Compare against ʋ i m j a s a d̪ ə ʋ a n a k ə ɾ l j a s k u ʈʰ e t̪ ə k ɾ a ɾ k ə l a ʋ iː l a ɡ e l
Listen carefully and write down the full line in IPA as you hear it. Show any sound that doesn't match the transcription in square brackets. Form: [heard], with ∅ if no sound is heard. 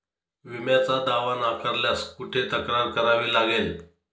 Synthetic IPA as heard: ʋ i m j a [t͡s] a d̪ [a] ʋ a n a k ə ɾ l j a s k u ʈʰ e t̪ ə k ɾ a ɾ k ə [ɾ] a ʋ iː l a ɡ e l